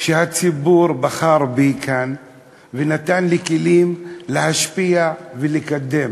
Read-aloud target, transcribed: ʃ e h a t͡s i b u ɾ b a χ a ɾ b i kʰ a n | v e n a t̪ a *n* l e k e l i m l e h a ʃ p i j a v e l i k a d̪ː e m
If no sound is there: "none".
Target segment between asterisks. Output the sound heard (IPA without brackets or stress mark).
n